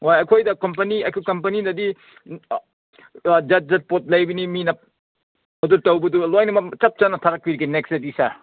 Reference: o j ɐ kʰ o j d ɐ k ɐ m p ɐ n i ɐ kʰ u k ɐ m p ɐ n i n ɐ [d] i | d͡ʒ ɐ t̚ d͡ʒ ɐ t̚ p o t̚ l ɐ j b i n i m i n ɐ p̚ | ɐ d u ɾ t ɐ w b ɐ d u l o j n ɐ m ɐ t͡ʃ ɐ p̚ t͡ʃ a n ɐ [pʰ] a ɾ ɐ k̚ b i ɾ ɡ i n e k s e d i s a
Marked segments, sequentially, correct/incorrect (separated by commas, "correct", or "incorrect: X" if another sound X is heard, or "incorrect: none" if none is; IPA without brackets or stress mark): correct, incorrect: tʰ